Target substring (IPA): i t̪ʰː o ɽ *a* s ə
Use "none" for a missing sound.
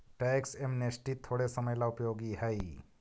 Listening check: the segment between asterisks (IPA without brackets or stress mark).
e